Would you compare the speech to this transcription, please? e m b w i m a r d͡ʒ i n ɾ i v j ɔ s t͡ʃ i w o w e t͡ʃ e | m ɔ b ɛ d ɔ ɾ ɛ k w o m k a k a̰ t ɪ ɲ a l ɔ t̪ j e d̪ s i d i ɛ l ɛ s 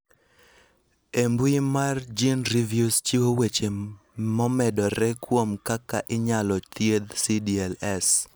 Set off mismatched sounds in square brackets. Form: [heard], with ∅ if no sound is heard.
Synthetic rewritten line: e m b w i m a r d͡ʒ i n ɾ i v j [u] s t͡ʃ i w o w e t͡ʃ e | m ɔ [m] ɛ d ɔ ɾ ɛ k w o m k a k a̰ [ʔ] ɪ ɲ a l ɔ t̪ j e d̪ s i d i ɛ l ɛ s